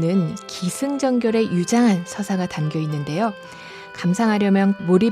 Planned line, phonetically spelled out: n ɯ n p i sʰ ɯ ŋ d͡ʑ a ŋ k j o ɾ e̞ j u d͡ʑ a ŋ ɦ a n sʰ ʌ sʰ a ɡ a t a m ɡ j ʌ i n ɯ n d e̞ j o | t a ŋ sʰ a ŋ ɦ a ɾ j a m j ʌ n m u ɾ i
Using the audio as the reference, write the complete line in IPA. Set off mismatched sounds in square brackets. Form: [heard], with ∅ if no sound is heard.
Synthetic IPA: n ɯ n [k] i sʰ ɯ ŋ d͡ʑ [ʌ] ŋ [ɡ] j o ɾ e̞ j u d͡ʑ a ŋ ɦ a n sʰ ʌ sʰ a ɡ a t a m ɡ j ʌ i [nː] ɯ n d e̞ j o | [k] a [m] sʰ a ŋ ɦ a ɾ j [ʌ] m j ʌ n m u ɾ i